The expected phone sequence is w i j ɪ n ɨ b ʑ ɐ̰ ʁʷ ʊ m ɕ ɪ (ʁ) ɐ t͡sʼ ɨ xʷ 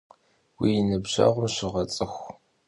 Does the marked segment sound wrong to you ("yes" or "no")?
no